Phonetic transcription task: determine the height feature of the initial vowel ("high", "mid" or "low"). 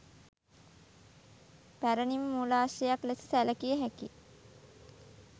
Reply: low